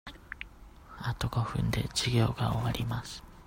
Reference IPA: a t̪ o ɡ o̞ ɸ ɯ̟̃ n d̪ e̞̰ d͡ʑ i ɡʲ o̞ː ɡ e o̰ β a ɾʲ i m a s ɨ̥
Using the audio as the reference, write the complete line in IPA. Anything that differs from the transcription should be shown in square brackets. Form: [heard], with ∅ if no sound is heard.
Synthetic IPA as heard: a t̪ o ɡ o̞ ɸ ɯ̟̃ n d̪ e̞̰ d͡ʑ i ɡʲ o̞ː ɡ [a] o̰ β a ɾʲ i m a s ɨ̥